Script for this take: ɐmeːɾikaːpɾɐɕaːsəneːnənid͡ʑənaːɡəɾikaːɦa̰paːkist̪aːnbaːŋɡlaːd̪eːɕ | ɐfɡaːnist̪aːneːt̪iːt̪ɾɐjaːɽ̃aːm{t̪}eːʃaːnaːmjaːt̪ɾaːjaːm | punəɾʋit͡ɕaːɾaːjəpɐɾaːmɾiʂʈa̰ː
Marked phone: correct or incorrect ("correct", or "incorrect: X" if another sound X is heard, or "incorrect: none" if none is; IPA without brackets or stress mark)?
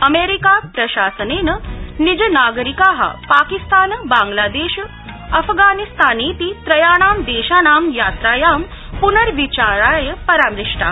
incorrect: d̪